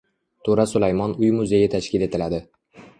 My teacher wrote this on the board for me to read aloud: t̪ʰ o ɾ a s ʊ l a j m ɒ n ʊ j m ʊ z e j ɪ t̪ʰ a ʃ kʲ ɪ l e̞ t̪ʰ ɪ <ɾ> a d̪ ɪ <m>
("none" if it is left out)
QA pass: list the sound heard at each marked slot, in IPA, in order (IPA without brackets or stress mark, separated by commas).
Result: l, none